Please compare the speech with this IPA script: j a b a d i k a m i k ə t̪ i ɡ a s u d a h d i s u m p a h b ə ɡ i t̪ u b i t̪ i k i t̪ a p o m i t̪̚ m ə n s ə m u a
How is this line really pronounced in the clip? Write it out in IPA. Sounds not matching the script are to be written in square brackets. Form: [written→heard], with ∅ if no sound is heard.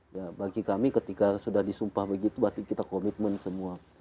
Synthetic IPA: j a b a [d→ɡ] i k a m i k ə t̪ i [ɡ→k] a s u d a h d i s u m p a h b ə ɡ i t̪ u b [i→a] t̪ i k i t̪ a [p→k] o m i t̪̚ m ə n s ə m u a